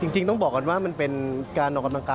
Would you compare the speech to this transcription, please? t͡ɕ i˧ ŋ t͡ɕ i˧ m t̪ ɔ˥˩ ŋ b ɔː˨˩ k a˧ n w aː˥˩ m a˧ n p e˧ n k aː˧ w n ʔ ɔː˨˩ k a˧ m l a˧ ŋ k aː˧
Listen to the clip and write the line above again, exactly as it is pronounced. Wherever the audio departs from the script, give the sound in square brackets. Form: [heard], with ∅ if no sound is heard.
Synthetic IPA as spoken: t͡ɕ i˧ ŋ t͡ɕ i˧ [ŋ] t̪ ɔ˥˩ ŋ b ɔː˨˩ k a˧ n w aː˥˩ m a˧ n p e˧ n k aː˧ [∅] n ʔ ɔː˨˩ k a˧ m l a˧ ŋ k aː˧